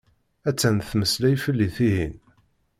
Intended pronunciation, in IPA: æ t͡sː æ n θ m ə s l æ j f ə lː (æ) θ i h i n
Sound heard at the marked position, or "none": i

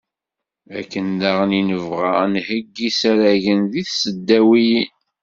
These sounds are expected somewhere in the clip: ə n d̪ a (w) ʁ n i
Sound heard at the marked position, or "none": none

